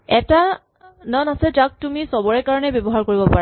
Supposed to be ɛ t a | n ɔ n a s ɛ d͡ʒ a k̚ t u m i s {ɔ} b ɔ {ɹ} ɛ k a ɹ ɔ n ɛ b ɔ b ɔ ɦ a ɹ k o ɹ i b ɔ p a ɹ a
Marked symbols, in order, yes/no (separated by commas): yes, yes